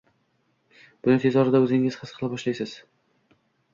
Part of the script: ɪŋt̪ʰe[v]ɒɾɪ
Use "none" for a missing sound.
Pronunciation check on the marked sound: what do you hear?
z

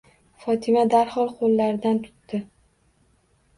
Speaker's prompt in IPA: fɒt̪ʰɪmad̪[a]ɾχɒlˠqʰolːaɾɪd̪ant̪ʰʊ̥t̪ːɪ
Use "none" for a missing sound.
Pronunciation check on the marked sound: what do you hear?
a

